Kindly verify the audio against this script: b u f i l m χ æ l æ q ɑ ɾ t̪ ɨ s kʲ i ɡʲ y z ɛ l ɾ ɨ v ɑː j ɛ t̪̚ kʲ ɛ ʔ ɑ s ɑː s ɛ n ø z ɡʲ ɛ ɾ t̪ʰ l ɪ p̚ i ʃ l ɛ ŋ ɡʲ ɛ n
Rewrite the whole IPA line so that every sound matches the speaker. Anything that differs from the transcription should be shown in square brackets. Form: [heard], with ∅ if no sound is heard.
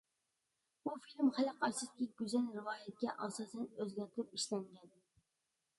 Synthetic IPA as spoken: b u f i l m χ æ l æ q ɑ ɾ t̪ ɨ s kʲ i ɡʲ y z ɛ l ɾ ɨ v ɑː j ɛ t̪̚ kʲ ɛ ʔ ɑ s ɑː s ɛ n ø z ɡʲ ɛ ɾ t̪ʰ [ɾ] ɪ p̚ i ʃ l ɛ ŋ ɡʲ ɛ n